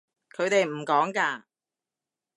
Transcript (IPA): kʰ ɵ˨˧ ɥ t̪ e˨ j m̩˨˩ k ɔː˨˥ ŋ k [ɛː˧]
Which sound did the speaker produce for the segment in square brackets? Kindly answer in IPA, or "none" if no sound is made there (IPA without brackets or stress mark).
aː˧